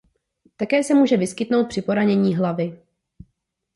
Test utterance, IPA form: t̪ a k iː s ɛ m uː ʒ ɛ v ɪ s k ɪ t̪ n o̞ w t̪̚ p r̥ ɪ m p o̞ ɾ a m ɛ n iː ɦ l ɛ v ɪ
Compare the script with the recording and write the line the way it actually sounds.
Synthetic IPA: t̪ a k ɛː s ɛ m uː ʒ ɛ v ɪ s k ɪ t̪ n o̞ w t̪̚ p r̥ ɪ p o̞ ɾ a ɲ ɛ ɲ iː ɦ l a v ɪ